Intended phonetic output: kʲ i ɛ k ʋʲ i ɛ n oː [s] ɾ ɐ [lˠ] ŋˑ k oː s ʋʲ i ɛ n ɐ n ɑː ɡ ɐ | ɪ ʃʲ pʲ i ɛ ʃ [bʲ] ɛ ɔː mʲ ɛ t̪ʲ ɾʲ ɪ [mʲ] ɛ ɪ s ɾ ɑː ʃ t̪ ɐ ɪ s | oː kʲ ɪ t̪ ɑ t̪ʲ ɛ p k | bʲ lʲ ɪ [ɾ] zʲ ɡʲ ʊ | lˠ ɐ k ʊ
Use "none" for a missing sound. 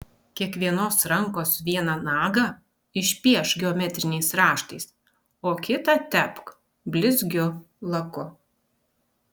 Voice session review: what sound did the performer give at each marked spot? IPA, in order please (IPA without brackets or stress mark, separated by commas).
s, none, ɡʲ, nʲ, none